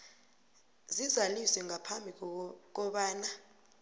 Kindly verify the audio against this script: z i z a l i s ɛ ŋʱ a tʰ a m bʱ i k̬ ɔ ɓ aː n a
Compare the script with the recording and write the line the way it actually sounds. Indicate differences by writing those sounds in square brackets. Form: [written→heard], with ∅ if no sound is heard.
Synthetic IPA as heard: z i z a l i s ɛ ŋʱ a [tʰ→pʰ] a m bʱ i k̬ ɔ ɓ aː n a